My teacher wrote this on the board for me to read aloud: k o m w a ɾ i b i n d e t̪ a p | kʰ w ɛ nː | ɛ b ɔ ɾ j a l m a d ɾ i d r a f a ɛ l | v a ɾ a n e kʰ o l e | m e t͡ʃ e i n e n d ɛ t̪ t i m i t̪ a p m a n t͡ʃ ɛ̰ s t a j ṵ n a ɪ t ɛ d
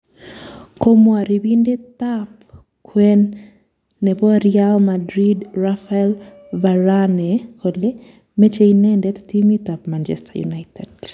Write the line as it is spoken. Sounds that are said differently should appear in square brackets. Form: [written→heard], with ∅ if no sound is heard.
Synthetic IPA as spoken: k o m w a ɾ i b i n d e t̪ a p | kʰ w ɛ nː | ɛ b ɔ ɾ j a l m a d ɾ i d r a f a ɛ l | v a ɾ a n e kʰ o l e | m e t͡ʃ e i n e n d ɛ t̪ t i m i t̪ a p m a n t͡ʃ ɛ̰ s t a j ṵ n a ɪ t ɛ d